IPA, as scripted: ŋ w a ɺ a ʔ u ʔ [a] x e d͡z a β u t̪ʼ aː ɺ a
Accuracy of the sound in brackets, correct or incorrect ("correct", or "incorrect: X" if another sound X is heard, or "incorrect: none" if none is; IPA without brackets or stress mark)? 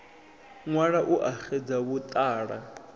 correct